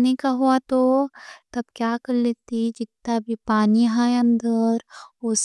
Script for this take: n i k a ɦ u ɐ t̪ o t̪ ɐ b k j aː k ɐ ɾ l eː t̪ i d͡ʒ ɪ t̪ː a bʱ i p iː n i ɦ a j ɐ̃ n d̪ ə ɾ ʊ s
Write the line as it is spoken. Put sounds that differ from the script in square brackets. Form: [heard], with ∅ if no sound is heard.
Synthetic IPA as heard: n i k a ɦ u [a] t̪ o t̪ ɐ b k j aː k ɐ ɾ l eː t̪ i d͡ʒ ɪ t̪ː a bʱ i p [aː] n i ɦ a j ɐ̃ n d̪ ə ɾ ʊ s